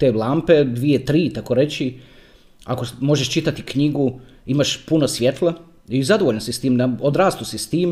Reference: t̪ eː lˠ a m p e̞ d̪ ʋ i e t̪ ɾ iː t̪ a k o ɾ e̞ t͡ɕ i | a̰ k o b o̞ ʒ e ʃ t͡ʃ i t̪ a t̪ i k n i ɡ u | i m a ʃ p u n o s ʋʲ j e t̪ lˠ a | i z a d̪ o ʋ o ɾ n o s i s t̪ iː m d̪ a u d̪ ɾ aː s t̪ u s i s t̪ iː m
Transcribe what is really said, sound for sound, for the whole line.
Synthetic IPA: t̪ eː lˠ a m p e̞ d̪ ʋ i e t̪ ɾ iː t̪ a k o ɾ e̞ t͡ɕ i | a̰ k o m o̞ ʒ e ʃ t͡ʃ i t̪ a t̪ i k ɲ i ɡ u | i m a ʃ p u n o s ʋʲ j e t̪ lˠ a | i z a d̪ o ʋ o ʎ n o s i s t̪ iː m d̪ a o d̪ ɾ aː s t̪ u s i s t̪ iː m